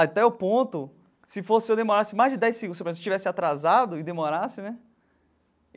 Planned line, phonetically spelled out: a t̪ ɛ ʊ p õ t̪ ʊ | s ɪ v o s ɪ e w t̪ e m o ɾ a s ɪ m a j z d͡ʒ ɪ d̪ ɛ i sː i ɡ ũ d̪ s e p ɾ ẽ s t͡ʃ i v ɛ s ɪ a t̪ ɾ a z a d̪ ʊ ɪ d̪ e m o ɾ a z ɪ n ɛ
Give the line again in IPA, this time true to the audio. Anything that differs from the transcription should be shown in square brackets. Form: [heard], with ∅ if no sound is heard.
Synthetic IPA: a t̪ ɛ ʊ p õ t̪ ʊ | s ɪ [f] o s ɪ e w [d̪] e m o ɾ a s ɪ m a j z d͡ʒ ɪ d̪ ɛ [j] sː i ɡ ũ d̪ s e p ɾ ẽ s t͡ʃ i v ɛ s ɪ a t̪ ɾ a z a d̪ ʊ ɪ d̪ e m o ɾ a [s] ɪ n ɛ